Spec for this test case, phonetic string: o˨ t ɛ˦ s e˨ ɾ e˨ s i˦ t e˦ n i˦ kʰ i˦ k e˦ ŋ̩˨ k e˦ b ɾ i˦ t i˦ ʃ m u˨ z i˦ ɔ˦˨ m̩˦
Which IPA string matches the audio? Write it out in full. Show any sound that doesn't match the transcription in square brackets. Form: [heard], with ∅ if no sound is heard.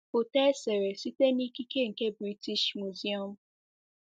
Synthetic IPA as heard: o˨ t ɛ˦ s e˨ ɾ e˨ s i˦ t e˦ n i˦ [k] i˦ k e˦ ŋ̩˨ k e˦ b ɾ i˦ t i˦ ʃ m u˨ z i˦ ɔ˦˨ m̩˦